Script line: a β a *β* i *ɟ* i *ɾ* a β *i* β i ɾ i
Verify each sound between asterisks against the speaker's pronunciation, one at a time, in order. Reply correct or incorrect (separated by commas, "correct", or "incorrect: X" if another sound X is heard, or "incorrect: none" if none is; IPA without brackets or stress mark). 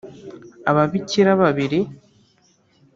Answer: correct, incorrect: c, correct, incorrect: a